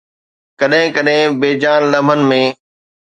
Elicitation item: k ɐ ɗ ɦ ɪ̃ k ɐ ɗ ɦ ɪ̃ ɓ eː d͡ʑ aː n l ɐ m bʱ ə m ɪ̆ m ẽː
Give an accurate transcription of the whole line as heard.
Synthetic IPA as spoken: k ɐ ɗ ɦ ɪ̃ k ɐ ɗ ɦ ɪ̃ b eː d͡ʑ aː n l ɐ m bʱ ə n ɪ̆ m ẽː